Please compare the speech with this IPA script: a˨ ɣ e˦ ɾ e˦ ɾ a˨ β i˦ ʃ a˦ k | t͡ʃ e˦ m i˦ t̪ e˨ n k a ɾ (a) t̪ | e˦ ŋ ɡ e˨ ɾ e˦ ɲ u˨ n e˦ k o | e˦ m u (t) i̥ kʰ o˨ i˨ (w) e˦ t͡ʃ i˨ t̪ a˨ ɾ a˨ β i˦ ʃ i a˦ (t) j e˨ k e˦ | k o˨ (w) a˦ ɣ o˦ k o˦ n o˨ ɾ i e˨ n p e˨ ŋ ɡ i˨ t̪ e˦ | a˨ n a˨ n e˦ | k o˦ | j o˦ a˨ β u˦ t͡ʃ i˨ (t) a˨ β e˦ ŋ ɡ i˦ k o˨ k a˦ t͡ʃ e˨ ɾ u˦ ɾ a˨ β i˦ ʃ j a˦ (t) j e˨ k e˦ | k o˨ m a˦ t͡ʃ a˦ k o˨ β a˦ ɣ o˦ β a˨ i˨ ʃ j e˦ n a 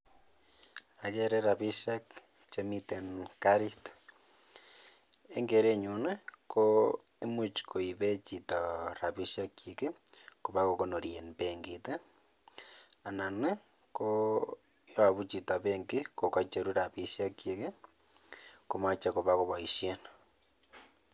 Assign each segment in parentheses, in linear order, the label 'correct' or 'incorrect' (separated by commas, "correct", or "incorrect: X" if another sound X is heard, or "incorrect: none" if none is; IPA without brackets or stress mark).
incorrect: i, incorrect: t͡ʃ, incorrect: β, incorrect: k, incorrect: β, correct, incorrect: k